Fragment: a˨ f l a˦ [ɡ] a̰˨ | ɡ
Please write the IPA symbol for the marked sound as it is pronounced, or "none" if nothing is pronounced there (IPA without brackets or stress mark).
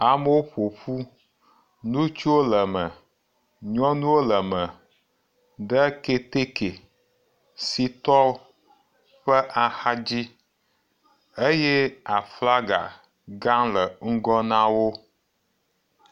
ɡ